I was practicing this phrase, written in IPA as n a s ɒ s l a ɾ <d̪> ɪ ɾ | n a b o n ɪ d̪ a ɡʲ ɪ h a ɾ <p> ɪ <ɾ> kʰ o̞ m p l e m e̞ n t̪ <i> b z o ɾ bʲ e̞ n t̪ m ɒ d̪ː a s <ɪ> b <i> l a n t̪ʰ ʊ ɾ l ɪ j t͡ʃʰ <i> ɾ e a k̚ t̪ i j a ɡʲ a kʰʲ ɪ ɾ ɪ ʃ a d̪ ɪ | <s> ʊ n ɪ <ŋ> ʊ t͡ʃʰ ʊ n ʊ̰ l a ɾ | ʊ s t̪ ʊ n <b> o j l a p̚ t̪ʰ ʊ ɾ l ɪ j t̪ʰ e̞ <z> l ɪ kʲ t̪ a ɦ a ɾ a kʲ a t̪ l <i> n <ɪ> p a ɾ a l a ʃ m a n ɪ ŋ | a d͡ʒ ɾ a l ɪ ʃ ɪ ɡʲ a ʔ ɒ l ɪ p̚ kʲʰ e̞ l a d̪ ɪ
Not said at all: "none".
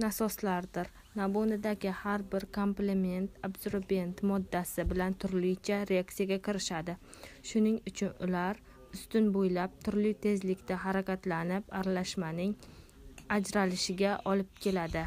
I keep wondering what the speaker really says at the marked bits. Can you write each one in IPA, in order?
d̪, b, ɾ, a, ɪ, ɪ, a, ʃ, ŋ, b, z, a, ɪ

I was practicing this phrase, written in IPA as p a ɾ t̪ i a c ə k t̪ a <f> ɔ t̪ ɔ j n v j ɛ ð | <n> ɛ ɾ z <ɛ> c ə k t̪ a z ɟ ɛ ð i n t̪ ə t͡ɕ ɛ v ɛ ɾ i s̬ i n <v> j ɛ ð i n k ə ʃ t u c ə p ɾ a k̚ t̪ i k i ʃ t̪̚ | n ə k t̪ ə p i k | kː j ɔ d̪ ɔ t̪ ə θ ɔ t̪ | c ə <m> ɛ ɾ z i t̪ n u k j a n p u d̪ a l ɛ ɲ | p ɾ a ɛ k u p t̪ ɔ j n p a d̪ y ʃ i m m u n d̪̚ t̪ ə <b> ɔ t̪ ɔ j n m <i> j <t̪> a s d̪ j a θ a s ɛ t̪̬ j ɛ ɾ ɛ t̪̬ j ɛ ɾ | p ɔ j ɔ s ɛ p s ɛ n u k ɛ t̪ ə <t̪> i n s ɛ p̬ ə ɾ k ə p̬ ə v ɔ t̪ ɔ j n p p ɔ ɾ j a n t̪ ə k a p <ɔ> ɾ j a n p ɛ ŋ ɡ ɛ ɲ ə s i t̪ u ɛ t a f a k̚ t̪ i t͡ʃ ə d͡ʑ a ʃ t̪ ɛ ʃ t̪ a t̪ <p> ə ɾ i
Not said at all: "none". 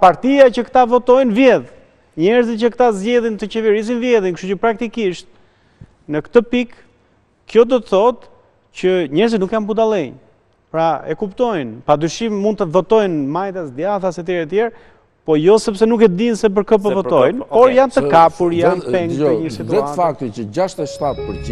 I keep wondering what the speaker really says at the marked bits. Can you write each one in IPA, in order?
v, ɲ, i, v, ɲ, v, a, t̪, d̪, u, p

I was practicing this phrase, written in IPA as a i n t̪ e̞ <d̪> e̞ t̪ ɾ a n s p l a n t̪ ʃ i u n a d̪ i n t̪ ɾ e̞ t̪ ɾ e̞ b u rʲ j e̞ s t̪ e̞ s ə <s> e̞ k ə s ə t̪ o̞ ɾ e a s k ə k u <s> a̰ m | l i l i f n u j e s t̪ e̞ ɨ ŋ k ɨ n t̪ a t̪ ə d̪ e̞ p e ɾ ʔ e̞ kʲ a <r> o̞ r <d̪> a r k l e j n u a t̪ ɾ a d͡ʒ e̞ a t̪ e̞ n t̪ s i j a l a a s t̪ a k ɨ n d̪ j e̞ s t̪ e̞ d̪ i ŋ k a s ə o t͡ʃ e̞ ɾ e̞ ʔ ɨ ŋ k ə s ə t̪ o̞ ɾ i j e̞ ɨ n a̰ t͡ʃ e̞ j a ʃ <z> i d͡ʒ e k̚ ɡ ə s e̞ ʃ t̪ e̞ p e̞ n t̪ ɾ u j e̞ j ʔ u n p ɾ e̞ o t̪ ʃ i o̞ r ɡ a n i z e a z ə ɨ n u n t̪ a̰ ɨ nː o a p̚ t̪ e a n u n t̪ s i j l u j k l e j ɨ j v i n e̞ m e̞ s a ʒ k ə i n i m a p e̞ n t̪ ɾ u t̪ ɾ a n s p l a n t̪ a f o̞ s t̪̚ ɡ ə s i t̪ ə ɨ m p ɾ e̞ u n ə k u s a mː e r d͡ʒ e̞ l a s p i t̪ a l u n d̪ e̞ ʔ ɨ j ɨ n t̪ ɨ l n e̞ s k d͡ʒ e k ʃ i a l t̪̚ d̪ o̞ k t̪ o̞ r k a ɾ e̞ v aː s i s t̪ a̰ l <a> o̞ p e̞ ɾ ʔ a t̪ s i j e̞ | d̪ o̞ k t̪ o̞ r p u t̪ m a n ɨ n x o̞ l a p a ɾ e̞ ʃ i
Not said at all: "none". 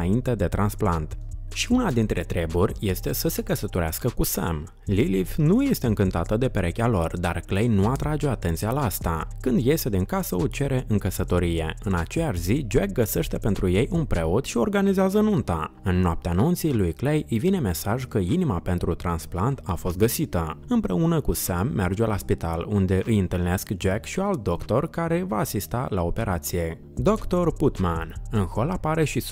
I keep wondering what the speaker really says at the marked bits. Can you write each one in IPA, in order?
d̪, s, s, l, d̪, z, a

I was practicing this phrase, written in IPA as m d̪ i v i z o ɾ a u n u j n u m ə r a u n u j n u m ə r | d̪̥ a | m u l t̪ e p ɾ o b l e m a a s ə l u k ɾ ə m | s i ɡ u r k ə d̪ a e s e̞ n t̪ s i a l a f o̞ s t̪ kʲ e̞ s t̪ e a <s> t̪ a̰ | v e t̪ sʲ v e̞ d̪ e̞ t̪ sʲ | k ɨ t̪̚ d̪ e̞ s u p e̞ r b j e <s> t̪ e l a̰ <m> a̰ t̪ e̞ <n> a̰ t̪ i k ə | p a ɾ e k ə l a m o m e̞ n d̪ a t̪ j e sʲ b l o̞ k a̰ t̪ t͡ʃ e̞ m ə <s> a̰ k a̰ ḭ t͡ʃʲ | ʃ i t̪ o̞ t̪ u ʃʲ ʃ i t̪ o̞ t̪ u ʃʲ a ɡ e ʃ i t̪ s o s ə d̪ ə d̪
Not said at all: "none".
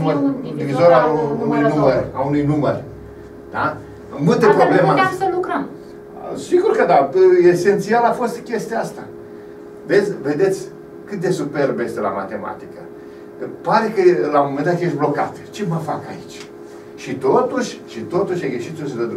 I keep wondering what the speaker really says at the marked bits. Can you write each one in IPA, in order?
s, s, m, m, f

